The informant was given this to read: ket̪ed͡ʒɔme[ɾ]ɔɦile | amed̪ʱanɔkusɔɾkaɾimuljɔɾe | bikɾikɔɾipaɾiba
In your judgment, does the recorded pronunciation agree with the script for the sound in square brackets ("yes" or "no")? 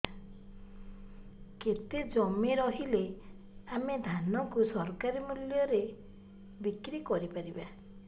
yes